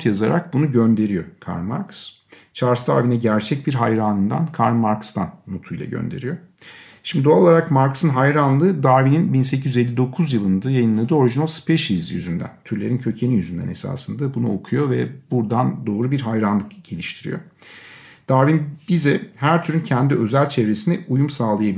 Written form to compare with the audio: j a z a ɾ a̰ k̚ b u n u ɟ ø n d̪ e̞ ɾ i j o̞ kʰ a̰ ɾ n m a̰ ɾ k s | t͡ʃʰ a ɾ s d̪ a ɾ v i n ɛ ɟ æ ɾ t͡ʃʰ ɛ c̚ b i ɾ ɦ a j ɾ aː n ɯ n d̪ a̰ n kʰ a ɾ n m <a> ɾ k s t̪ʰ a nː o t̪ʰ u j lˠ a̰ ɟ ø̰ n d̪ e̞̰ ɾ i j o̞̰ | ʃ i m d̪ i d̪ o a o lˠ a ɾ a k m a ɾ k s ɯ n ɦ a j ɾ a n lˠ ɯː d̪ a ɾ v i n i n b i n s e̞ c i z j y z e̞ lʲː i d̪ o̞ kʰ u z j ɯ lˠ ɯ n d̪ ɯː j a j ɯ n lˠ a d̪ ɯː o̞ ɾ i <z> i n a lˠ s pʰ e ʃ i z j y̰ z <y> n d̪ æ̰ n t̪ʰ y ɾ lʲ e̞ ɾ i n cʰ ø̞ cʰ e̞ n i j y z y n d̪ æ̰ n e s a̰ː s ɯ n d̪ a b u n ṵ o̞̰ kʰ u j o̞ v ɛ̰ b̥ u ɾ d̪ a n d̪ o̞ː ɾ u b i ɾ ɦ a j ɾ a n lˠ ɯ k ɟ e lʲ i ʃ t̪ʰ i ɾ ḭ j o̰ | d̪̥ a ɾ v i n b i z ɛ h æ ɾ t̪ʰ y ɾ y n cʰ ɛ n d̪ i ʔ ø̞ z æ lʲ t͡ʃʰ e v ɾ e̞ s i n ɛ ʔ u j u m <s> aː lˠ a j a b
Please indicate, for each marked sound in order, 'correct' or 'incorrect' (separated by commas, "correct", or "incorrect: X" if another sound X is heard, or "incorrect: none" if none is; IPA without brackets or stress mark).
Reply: correct, incorrect: ʒ, correct, correct